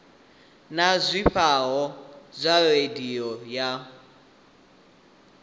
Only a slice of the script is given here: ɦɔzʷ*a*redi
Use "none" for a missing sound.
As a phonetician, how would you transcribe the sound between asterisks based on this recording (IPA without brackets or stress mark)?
a